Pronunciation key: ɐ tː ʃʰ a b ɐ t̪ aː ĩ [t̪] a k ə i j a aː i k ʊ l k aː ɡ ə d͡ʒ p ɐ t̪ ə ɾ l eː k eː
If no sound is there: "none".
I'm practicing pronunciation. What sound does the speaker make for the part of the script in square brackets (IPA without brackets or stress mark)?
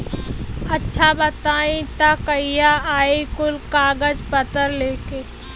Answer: t̪